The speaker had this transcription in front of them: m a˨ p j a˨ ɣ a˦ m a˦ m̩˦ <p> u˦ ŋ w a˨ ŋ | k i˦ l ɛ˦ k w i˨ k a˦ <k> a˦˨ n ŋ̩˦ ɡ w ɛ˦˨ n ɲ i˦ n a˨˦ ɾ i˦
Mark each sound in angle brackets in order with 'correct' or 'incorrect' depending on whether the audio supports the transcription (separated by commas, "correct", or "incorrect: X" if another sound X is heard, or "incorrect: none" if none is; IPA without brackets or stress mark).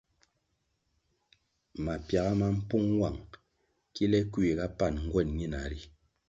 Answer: correct, incorrect: p